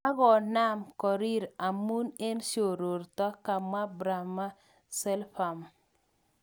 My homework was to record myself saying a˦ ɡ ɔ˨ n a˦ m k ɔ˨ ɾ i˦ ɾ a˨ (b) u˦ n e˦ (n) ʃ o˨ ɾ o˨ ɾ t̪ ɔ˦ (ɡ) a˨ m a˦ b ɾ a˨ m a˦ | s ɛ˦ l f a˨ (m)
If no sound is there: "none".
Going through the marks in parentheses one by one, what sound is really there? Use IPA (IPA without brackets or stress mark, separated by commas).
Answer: m, n, k, m